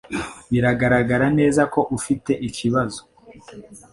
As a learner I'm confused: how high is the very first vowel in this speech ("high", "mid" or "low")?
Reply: high